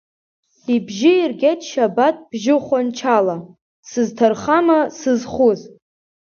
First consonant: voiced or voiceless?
voiced